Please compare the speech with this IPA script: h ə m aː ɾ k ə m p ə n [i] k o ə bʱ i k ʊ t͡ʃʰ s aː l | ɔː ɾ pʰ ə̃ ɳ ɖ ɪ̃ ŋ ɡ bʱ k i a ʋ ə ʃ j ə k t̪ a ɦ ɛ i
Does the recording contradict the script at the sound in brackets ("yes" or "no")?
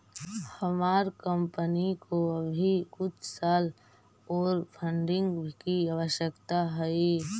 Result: no